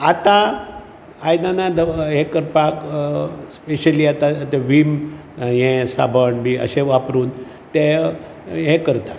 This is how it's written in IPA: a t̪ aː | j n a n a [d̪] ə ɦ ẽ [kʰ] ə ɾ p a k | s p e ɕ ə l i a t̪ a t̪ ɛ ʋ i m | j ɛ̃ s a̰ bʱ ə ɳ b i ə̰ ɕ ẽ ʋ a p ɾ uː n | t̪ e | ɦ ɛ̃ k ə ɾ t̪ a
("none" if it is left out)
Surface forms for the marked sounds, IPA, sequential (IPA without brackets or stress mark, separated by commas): d̪, k